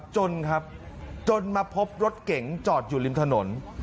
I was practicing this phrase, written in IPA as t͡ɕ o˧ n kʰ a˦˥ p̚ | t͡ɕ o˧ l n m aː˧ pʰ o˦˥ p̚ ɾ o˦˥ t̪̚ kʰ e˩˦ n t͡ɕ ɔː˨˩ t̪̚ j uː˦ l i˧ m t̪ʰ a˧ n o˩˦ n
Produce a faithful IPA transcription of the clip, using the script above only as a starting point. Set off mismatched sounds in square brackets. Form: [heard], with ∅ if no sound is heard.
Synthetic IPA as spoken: t͡ɕ o˧ n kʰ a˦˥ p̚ | t͡ɕ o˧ [∅] n m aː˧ pʰ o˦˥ p̚ ɾ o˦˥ t̪̚ [k] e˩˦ [ŋ] t͡ɕ ɔː˨˩ t̪̚ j [uː˨˩] l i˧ m t̪ʰ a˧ n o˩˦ n